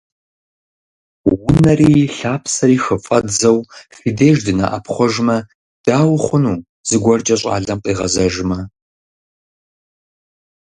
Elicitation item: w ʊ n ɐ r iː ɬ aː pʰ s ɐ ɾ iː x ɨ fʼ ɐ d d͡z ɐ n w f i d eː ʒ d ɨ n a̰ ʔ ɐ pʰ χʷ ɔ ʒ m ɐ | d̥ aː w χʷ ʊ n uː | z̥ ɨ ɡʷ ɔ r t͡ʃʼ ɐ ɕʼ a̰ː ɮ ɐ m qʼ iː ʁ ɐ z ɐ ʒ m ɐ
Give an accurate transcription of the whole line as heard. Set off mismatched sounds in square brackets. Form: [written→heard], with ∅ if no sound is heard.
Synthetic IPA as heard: w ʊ n ɐ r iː ɬ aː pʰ s ɐ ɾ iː x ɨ fʼ ɐ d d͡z ɐ [n→∅] w f i d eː ʒ d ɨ n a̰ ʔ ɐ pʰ χʷ ɔ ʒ m ɐ | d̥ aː w χʷ ʊ n uː | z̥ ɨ ɡʷ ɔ r t͡ʃʼ ɐ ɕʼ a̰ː ɮ ɐ m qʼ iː ʁ ɐ z ɐ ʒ m ɐ